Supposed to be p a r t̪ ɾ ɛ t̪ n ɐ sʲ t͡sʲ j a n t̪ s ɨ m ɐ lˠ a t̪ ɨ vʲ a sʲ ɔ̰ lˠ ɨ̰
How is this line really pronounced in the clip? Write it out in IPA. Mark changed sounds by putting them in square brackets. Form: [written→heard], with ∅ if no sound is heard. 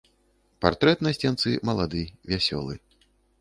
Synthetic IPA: p a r t̪ ɾ ɛ t̪ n ɐ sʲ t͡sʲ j a n t̪ s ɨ m ɐ lˠ a [t̪→d̪] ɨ vʲ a sʲ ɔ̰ lˠ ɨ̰